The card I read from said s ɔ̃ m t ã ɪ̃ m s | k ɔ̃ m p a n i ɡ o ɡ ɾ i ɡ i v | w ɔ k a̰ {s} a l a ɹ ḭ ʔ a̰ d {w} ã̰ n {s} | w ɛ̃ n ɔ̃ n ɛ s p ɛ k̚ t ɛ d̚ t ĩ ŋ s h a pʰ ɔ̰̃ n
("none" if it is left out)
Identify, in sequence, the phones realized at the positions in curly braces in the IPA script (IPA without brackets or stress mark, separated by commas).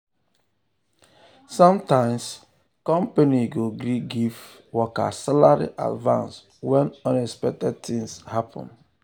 s, v, s